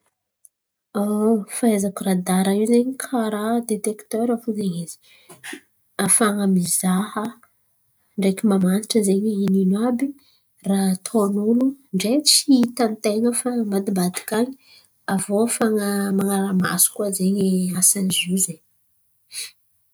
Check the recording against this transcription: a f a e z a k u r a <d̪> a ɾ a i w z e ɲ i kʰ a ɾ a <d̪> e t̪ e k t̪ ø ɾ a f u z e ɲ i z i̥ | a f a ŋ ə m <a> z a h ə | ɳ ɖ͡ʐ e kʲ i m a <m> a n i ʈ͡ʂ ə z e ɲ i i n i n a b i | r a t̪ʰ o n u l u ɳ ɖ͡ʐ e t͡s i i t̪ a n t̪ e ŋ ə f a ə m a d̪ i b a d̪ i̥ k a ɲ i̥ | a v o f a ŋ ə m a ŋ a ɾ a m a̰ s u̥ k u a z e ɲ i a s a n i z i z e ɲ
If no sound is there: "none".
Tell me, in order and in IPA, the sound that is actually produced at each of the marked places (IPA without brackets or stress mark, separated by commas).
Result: d̪, d̪, i, m